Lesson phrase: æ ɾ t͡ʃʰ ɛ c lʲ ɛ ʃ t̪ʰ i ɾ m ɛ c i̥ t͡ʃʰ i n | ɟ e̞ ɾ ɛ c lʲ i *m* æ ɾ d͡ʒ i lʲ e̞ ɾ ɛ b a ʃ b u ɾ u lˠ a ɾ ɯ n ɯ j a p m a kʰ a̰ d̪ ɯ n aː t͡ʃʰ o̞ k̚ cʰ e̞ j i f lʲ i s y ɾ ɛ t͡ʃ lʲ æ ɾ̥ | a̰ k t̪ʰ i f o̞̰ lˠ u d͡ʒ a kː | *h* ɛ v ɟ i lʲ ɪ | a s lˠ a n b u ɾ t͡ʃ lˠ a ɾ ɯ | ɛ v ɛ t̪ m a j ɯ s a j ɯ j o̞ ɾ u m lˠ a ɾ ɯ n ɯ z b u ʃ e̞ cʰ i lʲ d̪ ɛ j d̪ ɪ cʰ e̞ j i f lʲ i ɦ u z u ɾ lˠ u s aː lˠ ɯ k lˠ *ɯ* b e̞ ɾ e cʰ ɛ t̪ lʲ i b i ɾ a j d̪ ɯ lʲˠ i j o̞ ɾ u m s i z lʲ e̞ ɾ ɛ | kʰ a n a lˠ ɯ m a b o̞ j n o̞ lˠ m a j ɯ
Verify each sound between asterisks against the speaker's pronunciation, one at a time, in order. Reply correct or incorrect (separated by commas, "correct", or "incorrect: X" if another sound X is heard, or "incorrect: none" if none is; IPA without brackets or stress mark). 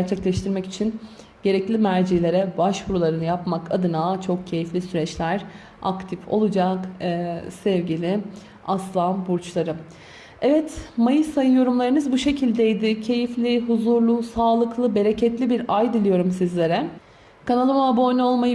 correct, incorrect: s, correct